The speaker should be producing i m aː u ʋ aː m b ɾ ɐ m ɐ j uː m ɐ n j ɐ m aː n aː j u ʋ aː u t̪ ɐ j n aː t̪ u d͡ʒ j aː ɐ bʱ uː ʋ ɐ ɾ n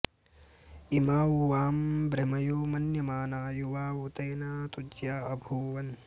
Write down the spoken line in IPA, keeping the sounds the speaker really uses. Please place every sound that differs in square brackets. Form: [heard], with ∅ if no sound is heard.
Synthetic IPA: i m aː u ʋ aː m b ɾ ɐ m ɐ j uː m ɐ n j ɐ m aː n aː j u ʋ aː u t̪ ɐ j n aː t̪ u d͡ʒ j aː ɐ bʱ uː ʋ ɐ [∅] n

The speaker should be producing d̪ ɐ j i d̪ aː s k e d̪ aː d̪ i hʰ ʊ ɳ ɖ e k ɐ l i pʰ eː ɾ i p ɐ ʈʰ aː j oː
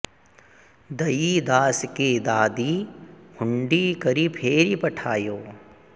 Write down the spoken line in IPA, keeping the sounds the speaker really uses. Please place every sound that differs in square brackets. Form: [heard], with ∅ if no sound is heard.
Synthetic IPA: d̪ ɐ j i d̪ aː s k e d̪ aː d̪ i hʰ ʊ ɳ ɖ [i] k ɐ [ɾ] i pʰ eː ɾ i p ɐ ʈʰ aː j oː

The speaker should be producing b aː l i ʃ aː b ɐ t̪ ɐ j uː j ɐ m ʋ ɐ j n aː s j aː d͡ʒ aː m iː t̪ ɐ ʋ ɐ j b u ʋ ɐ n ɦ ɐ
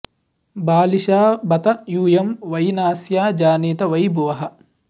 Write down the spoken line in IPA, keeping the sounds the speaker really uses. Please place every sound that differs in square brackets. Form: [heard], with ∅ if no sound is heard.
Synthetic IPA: b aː l i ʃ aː b ɐ t̪ ɐ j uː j ɐ m ʋ ɐ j n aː s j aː d͡ʒ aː [n] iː t̪ ɐ ʋ ɐ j b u ʋ ɐ [∅] ɦ ɐ

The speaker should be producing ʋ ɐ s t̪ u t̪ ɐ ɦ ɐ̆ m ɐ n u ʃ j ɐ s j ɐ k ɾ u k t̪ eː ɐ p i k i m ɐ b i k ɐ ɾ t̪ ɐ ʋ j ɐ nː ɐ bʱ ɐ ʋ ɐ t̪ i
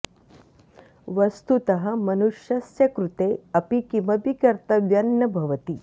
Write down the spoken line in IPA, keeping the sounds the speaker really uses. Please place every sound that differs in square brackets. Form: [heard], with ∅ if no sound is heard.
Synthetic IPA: ʋ ɐ s t̪ u t̪ ɐ ɦ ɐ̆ m ɐ n u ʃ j ɐ s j ɐ k ɾ u [∅] t̪ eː ɐ p i k i m ɐ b i k ɐ ɾ t̪ ɐ ʋ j ɐ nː ɐ bʱ ɐ ʋ ɐ t̪ i

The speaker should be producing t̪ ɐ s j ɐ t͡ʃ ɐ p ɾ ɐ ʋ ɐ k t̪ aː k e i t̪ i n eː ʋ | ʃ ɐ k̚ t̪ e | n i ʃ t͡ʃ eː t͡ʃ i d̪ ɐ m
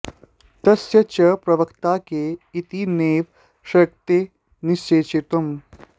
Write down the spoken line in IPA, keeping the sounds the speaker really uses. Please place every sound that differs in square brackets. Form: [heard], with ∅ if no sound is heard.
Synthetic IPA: t̪ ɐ s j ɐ t͡ʃ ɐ p ɾ ɐ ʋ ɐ k t̪ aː k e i t̪ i n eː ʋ | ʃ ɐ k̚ t̪ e | n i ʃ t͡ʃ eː t͡ʃ i [t̪] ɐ m

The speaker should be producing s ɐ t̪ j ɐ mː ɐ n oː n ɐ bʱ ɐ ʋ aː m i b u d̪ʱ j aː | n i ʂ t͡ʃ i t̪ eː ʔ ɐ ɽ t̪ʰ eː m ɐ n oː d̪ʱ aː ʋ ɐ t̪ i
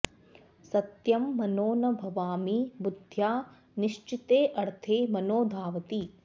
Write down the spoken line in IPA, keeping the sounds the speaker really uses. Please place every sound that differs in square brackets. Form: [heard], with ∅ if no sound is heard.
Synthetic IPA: s ɐ t̪ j ɐ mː ɐ n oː n ɐ bʱ ɐ ʋ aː m i b u d̪ʱ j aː | n i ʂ t͡ʃ i t̪ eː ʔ ɐ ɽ t̪ʰ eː m ɐ n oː d̪ʱ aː ʋ ɐ t̪ i

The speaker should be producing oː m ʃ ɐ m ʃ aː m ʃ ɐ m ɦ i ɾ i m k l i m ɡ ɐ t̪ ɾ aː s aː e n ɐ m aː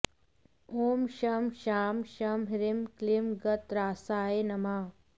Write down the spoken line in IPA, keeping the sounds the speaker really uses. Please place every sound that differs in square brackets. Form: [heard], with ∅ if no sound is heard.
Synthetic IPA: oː m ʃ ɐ m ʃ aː m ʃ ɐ m ɦ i ɾ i m k l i m ɡ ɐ t̪ ɾ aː s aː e n ɐ m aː

